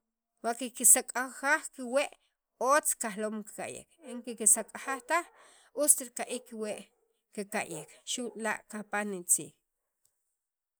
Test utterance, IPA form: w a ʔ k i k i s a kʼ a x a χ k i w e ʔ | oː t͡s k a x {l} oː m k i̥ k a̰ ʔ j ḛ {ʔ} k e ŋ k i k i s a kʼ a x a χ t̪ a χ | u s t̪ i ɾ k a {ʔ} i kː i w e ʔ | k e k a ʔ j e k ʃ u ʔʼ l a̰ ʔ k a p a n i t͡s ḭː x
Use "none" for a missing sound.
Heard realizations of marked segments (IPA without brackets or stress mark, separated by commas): l, none, ʔ